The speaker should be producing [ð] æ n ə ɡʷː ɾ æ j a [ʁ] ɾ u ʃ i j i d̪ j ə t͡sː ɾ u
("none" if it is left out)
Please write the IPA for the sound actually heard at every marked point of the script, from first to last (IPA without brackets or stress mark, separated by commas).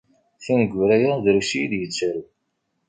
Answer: θ, ð